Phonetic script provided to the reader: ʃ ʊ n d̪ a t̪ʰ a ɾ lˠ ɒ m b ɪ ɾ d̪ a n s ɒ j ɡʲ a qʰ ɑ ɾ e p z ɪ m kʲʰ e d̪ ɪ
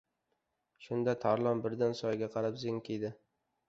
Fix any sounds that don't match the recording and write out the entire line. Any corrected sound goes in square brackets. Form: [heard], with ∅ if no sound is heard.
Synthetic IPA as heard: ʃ ʊ n d̪ a t̪ʰ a ɾ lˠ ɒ m b ɪ ɾ d̪ a n s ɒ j ɡʲ a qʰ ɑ ɾ [a] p z ɪ [ŋ] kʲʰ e d̪ ɪ